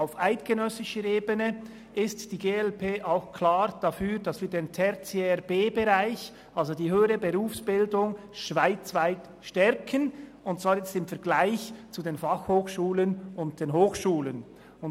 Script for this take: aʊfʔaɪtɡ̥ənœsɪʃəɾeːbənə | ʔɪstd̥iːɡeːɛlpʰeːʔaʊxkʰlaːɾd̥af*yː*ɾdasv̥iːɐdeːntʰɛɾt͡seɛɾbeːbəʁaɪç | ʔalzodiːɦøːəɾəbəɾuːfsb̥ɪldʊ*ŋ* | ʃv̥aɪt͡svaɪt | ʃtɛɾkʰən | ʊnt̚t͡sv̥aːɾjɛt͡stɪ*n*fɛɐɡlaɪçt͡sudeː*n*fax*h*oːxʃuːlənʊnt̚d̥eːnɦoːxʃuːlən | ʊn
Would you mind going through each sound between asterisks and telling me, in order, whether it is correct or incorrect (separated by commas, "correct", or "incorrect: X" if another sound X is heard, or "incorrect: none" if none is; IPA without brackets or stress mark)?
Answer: correct, correct, incorrect: m, correct, correct